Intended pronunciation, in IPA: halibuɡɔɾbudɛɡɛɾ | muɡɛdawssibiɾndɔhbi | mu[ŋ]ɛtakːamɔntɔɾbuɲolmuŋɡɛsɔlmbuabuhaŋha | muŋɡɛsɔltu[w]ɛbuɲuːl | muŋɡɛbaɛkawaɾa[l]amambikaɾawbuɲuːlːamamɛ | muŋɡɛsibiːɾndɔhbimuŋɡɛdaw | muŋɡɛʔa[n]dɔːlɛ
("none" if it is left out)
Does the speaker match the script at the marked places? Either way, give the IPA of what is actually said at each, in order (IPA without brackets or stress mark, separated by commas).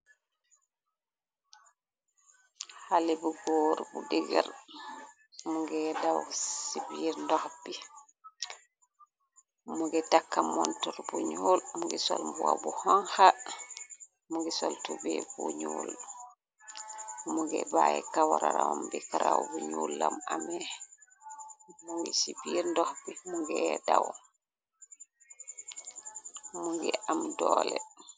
ɡ, b, ɾ, m